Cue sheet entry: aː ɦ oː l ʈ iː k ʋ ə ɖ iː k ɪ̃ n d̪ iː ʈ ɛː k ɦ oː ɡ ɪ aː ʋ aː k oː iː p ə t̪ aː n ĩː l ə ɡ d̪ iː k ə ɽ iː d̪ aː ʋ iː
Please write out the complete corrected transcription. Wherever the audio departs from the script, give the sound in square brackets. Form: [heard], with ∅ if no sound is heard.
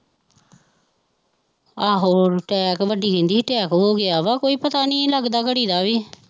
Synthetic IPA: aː ɦ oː [ɾ] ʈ [ɛː] k ʋ ə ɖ iː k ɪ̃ n d̪ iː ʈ ɛː k ɦ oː ɡ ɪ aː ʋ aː k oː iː p ə t̪ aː n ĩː l ə ɡ d̪ [aː] k ə ɽ iː d̪ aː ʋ iː

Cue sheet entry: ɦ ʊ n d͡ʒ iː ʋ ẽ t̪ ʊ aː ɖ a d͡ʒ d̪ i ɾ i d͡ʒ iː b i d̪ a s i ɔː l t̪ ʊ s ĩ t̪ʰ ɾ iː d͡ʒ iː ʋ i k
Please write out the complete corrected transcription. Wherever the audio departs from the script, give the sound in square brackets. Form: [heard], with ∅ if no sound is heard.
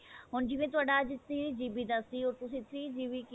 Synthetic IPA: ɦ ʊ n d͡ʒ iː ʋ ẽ t̪ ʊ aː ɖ a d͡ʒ [t̪] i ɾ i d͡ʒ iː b i d̪ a s i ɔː [ɾ] t̪ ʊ s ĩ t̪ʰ ɾ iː d͡ʒ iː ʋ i k

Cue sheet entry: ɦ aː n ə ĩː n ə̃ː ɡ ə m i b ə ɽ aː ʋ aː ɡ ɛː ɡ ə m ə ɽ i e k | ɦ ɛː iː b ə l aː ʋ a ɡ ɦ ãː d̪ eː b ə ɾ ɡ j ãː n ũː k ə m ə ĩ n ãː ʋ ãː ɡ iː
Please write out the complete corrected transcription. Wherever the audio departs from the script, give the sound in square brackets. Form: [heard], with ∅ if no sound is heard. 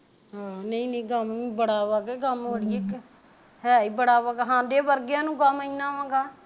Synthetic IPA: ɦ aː n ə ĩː n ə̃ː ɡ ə m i b ə ɽ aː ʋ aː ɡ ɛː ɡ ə m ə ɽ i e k | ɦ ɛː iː b ə [ɽ] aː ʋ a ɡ ɦ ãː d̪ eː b ə ɾ ɡ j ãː n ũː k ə m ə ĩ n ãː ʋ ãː ɡ [aː]

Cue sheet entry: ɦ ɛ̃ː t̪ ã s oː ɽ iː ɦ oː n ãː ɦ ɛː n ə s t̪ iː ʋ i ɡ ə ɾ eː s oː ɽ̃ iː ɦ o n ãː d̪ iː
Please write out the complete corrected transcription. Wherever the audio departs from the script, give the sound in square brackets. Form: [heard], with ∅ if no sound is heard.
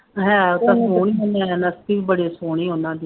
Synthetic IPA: ɦ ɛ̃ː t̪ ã s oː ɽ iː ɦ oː n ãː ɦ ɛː n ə s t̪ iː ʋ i [b] ə [ɽ] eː s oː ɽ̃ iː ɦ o n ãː d̪ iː

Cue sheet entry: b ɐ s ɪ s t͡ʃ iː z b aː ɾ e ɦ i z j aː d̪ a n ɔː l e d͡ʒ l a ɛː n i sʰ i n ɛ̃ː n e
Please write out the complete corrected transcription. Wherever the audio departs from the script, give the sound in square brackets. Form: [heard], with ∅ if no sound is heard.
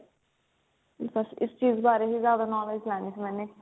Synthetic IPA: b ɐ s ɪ s t͡ʃ iː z b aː ɾ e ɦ i z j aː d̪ a n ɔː l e d͡ʒ l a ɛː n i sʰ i [m] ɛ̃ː n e

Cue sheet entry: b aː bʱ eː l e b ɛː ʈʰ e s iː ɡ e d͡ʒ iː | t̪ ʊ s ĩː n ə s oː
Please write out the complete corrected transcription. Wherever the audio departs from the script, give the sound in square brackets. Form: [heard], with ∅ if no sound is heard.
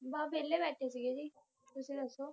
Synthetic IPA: b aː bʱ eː l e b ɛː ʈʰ e s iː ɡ e d͡ʒ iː | t̪ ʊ s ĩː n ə s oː

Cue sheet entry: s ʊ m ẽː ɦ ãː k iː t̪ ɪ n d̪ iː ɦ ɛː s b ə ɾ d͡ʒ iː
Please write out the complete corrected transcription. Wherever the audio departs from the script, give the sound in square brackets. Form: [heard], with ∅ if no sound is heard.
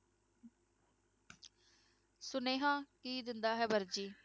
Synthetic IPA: s ʊ [n] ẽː ɦ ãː k iː [d̪] ɪ n d̪ [aː] ɦ ɛː [∅] b ə ɾ d͡ʒ iː

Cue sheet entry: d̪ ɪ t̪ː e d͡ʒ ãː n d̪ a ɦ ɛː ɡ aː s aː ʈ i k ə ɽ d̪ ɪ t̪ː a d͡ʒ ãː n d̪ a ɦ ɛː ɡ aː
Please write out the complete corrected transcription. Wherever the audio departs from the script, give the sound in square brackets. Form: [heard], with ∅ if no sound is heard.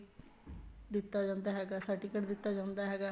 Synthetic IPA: d̪ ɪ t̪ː [a] d͡ʒ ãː n d̪ a ɦ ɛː ɡ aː s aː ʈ i k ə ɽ d̪ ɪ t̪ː a d͡ʒ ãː n d̪ a ɦ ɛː ɡ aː

